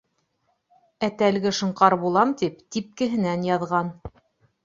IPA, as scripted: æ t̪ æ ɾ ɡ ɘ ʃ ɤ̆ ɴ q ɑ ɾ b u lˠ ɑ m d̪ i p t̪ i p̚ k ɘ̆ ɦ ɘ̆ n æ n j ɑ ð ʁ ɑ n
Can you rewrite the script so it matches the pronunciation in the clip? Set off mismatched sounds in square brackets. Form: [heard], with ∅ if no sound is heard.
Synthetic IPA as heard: æ t̪ æ [l] ɡ ɘ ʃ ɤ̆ ɴ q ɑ ɾ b u lˠ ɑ m [t̪] i p t̪ i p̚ k ɘ̆ ɦ ɘ̆ n æ n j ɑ ð ʁ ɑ n